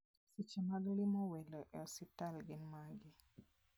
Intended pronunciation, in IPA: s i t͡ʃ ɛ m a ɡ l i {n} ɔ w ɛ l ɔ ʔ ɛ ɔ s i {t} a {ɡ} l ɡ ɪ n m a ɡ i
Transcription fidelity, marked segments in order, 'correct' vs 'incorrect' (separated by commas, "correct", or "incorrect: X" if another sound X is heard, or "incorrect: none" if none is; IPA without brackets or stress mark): incorrect: m, correct, incorrect: none